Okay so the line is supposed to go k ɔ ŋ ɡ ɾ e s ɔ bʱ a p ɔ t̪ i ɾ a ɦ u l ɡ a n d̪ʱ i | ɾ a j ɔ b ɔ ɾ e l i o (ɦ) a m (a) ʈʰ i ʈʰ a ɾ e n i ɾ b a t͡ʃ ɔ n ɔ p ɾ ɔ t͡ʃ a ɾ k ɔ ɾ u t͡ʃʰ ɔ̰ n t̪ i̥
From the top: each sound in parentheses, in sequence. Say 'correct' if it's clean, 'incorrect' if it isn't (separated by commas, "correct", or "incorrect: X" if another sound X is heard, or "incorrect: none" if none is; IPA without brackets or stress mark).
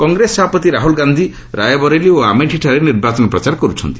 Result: incorrect: none, incorrect: e